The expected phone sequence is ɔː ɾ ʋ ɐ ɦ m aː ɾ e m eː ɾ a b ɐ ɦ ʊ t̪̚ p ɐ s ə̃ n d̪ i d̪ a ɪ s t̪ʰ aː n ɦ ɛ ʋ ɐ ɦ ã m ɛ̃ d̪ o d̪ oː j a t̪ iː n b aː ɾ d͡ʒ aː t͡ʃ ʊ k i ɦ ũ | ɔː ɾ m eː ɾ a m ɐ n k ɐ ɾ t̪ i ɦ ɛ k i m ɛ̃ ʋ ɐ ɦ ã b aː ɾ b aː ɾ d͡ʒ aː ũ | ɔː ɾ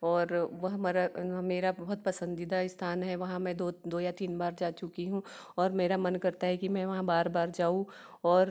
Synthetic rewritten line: ɔː ɾ ʋ ɐ ɦ m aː ɾ a m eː ɾ a b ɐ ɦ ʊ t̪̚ p ɐ s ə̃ n d̪ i d̪ a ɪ s t̪ʰ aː n ɦ ɛ ʋ ɐ ɦ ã m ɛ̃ d̪ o d̪ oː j a t̪ iː n b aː ɾ d͡ʒ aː t͡ʃ ʊ k i ɦ ũ | ɔː ɾ m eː ɾ a m ɐ n k ɐ ɾ t̪ a ɦ ɛ k i m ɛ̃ ʋ ɐ ɦ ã b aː ɾ b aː ɾ d͡ʒ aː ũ | ɔː ɾ